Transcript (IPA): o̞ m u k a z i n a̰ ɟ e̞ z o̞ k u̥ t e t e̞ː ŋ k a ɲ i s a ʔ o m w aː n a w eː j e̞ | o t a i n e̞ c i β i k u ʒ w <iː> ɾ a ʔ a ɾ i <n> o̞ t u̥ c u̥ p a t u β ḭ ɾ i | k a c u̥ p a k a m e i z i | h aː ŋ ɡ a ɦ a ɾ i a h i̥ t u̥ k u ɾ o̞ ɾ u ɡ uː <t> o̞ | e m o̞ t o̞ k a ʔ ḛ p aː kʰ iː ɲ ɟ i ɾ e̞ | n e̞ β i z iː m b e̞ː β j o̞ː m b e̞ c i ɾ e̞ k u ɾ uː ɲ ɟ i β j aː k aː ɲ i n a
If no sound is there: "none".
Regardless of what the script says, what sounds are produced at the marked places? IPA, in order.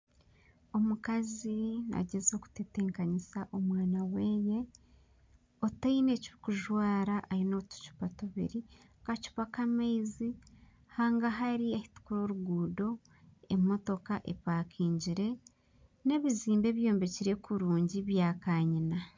aː, n, d

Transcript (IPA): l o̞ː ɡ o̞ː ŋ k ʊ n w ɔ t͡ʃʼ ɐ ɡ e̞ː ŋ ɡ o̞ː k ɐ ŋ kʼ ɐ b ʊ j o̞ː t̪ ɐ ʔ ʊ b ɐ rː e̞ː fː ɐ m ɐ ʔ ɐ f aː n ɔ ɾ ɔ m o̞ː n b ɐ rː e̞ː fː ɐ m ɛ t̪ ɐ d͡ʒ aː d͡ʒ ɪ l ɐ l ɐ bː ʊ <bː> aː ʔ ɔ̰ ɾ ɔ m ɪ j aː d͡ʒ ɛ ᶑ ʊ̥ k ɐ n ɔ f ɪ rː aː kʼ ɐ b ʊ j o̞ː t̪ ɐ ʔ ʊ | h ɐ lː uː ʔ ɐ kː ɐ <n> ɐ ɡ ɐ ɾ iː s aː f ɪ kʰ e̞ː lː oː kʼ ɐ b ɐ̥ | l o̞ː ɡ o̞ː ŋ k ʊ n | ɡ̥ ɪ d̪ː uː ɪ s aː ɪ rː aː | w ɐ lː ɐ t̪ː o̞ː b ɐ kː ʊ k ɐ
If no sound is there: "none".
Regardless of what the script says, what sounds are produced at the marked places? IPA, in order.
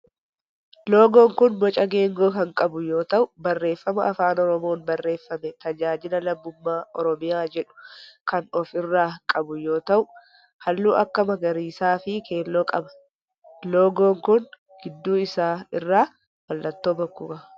mː, m

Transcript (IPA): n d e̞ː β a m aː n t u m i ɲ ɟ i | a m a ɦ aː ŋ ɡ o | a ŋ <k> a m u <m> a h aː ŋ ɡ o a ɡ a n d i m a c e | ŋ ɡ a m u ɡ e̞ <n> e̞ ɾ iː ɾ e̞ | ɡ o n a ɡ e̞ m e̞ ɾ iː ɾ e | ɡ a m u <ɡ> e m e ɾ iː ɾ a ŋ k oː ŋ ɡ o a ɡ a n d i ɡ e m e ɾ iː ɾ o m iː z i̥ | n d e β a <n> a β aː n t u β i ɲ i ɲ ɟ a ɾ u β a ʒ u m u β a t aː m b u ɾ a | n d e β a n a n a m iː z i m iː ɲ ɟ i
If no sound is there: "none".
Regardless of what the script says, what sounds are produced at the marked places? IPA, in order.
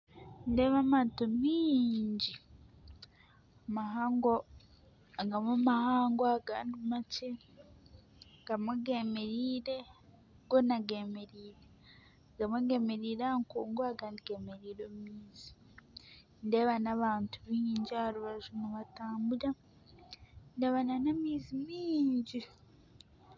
ɡ, m, m, ɡ, n

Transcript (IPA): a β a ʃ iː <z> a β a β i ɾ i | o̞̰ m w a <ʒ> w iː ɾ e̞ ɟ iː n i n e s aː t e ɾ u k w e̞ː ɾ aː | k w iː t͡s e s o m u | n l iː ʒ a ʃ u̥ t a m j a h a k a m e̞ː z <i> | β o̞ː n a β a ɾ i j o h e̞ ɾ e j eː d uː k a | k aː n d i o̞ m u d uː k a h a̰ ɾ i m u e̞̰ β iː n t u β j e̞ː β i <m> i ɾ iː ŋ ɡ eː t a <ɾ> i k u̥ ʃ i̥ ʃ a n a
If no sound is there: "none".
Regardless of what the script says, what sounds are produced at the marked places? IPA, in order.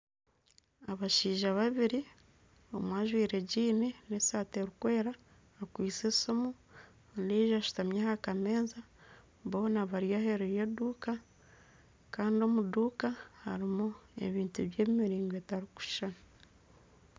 ʒ, ʒ, a, m, ɾ

